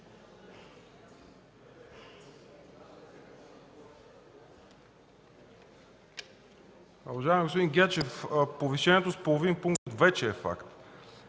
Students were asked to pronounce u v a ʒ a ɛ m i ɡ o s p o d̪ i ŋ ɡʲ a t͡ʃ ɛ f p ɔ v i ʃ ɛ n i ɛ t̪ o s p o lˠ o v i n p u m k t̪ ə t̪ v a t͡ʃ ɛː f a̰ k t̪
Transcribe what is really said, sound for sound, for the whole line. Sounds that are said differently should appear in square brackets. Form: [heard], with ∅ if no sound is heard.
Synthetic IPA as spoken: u v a ʒ a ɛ m i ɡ o s p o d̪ i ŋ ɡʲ a t͡ʃ ɛ f p [o] v i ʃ ɛ n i ɛ t̪ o s p o lˠ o v i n p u [ŋ] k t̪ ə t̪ v [ɛ] t͡ʃ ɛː f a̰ k t̪